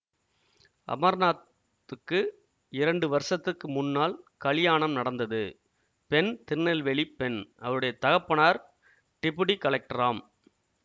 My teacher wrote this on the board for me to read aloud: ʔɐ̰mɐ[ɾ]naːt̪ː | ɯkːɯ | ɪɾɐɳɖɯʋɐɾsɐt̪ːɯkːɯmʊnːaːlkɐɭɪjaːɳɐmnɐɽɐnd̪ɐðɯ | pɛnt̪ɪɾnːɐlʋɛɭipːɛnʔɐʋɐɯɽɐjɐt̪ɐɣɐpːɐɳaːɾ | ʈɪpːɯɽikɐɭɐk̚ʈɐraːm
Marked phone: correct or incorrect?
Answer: correct